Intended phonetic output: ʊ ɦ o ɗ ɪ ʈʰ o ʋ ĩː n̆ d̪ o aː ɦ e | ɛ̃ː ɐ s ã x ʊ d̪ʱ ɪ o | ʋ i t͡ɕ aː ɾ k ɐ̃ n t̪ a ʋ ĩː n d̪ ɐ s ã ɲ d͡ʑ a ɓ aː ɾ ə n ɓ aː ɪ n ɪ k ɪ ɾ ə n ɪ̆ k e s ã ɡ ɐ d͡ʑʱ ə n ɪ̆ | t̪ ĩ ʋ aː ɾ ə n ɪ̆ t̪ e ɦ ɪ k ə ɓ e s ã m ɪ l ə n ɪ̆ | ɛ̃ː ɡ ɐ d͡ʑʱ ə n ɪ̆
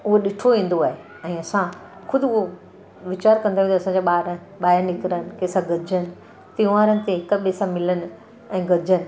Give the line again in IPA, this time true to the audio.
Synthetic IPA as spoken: ʊ ɦ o ɗ ɪ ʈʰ o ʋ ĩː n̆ d̪ o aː ɦ e | ɛ̃ː ɐ s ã x ʊ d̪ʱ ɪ o | ʋ ɪ t͡ɕ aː ɾ k ɐ̃ n d̪ a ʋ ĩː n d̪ ɐ s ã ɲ d͡ʑ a ɓ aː ɾ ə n ɓ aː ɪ n ɪ k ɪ ɾ ə n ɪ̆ k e s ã ɡ ɐ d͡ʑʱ ə n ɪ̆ | t̪ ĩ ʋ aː ɾ ə n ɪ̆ t̪ e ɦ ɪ k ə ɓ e s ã m ɪ l ə n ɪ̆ | ɛ̃ː ɡ ɐ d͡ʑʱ ə n ɪ̆